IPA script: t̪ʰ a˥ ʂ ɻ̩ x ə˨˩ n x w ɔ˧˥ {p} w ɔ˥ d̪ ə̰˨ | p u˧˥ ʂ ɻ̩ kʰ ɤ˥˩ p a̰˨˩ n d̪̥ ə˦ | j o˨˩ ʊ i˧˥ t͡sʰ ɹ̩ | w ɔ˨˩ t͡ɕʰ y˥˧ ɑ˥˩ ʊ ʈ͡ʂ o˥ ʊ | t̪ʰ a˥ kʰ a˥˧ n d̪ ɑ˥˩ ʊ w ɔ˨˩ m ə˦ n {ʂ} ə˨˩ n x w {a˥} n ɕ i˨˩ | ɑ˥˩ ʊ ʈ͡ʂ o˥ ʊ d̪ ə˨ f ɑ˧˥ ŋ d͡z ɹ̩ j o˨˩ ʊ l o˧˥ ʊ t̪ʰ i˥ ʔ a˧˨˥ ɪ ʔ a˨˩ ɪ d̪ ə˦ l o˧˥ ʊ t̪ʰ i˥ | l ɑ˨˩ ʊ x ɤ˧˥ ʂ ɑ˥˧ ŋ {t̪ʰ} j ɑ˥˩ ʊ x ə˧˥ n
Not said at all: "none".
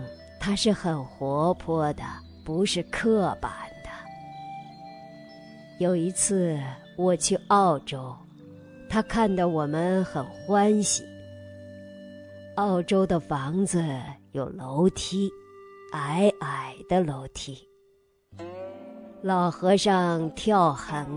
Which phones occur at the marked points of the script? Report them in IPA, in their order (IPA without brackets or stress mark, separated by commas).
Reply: pʰ, x, a˥, t̪ʰ